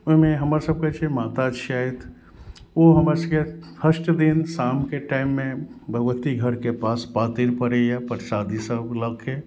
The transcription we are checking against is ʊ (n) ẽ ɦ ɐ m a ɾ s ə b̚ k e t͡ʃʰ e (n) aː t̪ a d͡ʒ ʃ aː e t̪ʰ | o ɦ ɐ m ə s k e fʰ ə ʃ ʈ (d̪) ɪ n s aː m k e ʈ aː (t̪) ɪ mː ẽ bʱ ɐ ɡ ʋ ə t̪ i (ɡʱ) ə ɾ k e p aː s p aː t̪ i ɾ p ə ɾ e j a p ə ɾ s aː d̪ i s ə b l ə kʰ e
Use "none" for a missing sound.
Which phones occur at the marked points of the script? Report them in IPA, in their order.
m, m, d̪, none, ɡʱ

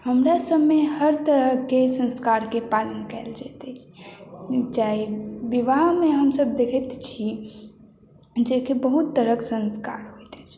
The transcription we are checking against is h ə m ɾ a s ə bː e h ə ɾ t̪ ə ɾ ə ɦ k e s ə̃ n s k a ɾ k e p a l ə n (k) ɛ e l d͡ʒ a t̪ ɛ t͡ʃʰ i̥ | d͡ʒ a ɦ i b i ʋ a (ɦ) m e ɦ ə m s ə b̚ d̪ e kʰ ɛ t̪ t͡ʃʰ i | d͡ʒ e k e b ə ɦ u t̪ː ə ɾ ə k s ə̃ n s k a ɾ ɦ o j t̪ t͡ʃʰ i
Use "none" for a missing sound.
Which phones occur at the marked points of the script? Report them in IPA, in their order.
k, ɦ

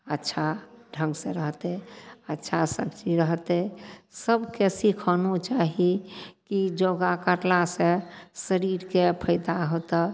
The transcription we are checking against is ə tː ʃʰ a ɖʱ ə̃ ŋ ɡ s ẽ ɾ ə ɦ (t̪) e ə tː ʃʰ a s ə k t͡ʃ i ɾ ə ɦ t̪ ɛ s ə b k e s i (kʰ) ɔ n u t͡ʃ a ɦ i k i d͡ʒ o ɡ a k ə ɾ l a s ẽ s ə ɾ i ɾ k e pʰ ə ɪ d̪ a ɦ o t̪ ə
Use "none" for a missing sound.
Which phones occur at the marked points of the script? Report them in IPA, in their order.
t̪, kʰ

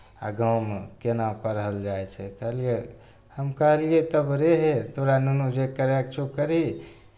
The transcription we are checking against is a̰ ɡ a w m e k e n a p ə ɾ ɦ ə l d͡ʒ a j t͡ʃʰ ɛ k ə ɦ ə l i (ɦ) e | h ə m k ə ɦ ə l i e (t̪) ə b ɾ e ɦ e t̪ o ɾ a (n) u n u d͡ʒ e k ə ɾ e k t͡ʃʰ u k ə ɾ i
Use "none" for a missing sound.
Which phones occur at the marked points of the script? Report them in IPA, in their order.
none, t̪, n

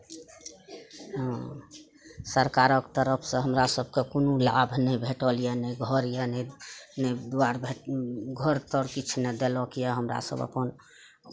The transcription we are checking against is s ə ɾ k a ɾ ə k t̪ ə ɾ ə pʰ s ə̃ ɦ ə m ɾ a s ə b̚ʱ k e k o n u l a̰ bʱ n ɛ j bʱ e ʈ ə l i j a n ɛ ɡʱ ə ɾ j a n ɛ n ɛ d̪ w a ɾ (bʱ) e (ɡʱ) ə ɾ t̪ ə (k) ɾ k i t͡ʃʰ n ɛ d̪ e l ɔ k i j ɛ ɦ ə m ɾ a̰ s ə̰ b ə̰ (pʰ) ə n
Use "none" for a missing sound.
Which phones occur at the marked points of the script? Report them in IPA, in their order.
bʱ, ɡʱ, none, p

